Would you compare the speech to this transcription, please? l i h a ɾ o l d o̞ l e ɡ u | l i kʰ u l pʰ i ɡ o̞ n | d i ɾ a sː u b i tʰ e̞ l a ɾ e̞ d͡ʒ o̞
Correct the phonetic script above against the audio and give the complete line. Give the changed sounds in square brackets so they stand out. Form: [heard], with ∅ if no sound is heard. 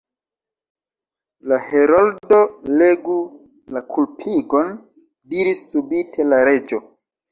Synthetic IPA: l [a] h [e] ɾ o l d o̞ l e ɡ u | l [a] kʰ u l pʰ i ɡ o̞ n | d i ɾ [i] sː u b i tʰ e̞ l a ɾ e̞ d͡ʒ o̞